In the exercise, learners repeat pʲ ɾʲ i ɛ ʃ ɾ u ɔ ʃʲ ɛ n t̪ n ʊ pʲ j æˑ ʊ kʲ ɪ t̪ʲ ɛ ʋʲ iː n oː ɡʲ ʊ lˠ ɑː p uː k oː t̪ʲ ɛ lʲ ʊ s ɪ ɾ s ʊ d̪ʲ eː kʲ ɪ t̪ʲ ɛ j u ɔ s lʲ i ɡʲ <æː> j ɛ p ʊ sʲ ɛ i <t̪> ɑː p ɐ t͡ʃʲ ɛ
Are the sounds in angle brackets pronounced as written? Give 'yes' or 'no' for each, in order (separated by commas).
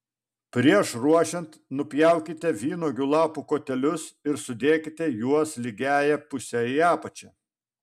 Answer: yes, no